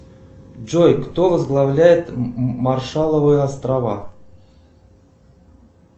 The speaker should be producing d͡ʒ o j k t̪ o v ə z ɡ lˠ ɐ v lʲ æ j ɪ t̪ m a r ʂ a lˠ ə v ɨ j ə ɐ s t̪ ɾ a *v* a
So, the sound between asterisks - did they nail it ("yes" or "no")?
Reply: yes